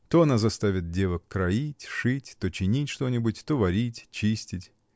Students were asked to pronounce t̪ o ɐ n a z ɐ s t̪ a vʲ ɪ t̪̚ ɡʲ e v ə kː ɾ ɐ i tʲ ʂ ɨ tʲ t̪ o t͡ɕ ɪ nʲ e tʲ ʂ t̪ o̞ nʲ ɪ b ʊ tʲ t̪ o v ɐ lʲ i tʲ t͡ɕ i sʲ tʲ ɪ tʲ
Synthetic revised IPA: t̪ o ɐ n a z ɐ s t̪ a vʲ ɪ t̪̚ dʲ e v ə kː ɾ ɐ i tʲ ʂ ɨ tʲ t̪ o t͡ɕ ɪ nʲ i tʲ ʂ t̪ o̞ nʲ ɪ b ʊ tʲ t̪ o v ɐ ɾʲ i tʲ t͡ɕ i sʲ tʲ ɪ tʲ